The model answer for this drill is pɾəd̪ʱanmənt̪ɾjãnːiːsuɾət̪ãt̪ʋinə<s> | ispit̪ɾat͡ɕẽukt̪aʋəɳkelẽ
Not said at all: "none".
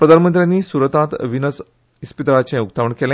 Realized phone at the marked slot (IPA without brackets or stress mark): s